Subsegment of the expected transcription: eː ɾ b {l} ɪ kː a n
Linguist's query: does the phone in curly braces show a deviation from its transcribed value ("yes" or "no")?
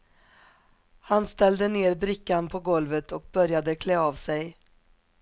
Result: yes